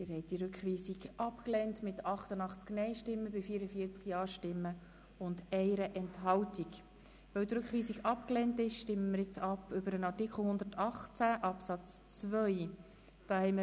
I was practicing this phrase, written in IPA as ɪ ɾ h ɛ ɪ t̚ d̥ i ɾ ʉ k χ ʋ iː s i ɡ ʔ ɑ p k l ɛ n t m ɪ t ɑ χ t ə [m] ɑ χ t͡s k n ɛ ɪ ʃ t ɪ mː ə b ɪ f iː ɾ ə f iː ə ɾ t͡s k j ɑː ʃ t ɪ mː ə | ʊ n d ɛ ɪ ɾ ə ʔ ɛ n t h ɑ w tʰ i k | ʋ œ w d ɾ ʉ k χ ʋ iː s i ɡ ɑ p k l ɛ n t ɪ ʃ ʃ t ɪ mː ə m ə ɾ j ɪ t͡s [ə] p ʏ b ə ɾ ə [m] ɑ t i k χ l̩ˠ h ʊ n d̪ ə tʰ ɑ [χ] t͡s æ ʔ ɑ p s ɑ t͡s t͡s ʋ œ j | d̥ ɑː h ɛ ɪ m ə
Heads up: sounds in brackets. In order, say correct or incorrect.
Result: incorrect: n, incorrect: ɑ, incorrect: n, correct

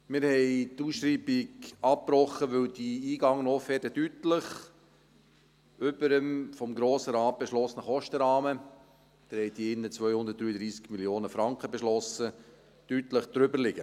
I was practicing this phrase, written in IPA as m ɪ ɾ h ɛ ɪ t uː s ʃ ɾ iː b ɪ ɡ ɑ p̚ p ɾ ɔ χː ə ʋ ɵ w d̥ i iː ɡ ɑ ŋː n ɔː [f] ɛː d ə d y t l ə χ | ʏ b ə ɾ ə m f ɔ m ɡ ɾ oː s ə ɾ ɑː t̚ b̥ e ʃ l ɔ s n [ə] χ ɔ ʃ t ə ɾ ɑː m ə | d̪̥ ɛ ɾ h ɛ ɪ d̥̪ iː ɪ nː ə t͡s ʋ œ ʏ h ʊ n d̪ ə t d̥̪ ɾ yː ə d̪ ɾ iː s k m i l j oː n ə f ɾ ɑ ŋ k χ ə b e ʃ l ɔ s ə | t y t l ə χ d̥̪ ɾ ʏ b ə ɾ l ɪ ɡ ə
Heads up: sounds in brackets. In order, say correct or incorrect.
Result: correct, correct

